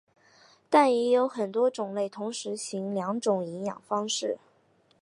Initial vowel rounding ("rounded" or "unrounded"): unrounded